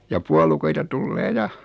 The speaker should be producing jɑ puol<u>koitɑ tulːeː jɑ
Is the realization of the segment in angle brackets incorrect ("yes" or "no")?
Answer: no